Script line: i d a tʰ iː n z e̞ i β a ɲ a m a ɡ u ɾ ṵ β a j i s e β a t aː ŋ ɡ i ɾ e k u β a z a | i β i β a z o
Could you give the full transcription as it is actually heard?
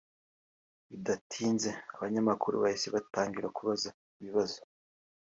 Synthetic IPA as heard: i d a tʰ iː n z e̞ a β a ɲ a m a k u ɾ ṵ β a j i s e β a t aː ŋ ɡ i ɾ a k u β a z a | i β i β a z o